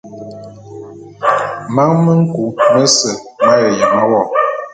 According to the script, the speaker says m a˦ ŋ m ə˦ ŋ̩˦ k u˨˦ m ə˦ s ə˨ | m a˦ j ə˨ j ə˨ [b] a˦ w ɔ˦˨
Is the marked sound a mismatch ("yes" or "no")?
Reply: yes